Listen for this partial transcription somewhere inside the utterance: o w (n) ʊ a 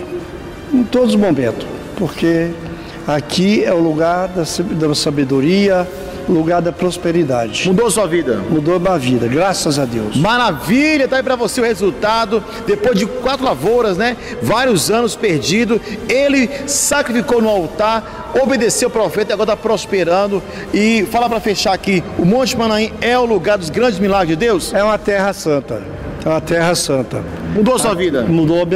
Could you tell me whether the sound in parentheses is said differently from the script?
no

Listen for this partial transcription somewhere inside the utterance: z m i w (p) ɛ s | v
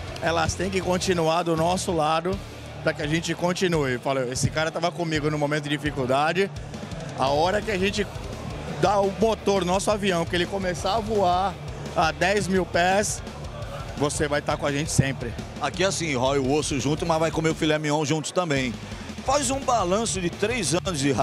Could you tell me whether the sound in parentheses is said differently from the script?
no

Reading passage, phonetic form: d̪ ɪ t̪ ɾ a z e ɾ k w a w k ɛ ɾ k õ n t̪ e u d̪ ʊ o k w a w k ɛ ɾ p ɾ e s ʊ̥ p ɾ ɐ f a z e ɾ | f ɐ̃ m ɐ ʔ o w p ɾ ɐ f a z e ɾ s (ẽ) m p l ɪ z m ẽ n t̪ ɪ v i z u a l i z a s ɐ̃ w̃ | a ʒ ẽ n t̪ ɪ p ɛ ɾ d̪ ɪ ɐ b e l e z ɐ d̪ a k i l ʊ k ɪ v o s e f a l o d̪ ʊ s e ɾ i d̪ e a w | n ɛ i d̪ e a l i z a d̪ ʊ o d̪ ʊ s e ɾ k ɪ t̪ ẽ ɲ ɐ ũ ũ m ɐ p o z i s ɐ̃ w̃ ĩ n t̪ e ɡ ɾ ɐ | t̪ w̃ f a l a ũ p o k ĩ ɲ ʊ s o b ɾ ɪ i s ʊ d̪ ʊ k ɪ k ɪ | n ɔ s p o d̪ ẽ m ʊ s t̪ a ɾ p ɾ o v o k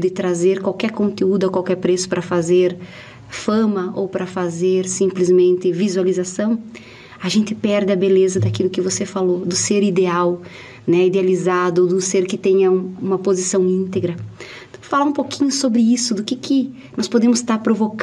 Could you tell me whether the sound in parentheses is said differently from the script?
yes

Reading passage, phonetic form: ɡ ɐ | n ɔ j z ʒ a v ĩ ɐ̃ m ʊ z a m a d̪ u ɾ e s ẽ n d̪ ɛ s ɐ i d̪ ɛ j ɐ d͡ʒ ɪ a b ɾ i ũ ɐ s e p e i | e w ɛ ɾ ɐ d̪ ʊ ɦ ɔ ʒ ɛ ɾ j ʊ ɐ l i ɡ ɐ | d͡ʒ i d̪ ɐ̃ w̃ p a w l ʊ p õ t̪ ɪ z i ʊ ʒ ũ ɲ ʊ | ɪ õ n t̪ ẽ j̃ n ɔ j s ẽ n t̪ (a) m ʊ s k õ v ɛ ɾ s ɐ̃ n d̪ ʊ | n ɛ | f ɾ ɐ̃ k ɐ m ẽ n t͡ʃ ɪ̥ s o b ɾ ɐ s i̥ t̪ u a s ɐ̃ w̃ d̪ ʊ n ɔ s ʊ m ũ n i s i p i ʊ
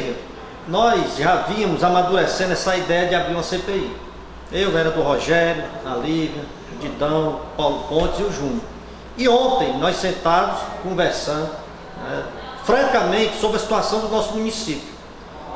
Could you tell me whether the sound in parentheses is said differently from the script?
no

